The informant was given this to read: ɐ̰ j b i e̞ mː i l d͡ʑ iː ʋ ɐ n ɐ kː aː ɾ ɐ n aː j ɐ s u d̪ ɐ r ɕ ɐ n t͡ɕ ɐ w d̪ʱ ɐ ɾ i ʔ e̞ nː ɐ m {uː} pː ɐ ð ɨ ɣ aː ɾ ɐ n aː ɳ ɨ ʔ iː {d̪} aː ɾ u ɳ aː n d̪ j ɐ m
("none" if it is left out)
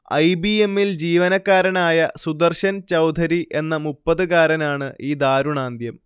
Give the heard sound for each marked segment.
u, d̪

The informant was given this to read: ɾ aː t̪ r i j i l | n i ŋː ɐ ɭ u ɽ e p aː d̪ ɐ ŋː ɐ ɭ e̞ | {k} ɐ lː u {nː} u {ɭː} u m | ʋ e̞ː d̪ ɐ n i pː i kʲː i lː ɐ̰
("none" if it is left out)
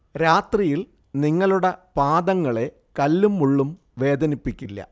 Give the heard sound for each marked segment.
k, mː, ɭː

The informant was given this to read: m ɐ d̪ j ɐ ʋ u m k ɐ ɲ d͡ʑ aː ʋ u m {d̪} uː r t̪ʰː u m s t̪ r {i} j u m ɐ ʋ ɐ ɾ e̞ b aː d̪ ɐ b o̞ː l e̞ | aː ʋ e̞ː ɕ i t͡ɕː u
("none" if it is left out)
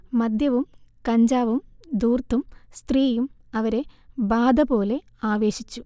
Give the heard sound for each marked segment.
d̪, iː

